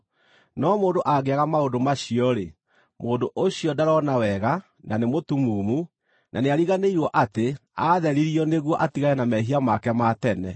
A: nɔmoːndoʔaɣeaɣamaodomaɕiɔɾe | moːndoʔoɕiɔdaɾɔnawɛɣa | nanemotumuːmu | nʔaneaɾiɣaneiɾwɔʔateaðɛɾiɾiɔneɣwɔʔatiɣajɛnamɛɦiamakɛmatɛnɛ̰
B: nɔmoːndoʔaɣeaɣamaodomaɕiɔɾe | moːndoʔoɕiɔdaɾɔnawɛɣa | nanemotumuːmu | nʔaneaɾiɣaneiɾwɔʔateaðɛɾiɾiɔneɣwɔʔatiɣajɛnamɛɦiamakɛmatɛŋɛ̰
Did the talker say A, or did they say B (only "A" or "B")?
A